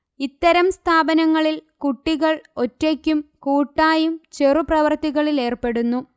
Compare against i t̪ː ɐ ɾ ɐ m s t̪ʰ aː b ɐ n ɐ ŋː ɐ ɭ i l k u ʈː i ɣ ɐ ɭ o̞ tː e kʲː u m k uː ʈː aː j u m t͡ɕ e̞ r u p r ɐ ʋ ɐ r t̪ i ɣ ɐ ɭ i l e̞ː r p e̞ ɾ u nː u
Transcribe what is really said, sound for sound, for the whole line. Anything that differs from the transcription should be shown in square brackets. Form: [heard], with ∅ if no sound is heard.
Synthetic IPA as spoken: i t̪ː ɐ ɾ ɐ m s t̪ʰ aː b ɐ n ɐ ŋː ɐ ɭ i l k u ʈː i ɣ ɐ ɭ o̞ tː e kʲː u m k uː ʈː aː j u m t͡ɕ e̞ r u p r ɐ ʋ ɐ r t̪ i ɣ ɐ ɭ i l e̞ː r p e̞ [ɽ] u nː u